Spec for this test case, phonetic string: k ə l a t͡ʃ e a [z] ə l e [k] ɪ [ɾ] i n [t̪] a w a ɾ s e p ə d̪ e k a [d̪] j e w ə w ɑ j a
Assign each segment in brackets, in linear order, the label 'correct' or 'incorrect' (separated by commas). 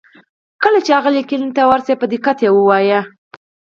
incorrect, correct, incorrect, correct, incorrect